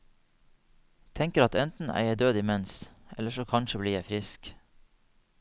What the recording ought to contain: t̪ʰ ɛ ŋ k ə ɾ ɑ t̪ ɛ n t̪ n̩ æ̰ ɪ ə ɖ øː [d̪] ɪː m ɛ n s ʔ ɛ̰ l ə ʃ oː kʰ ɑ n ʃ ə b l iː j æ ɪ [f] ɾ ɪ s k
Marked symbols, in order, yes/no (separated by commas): yes, yes